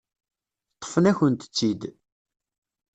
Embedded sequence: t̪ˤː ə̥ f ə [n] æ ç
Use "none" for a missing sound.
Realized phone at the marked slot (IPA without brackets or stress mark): n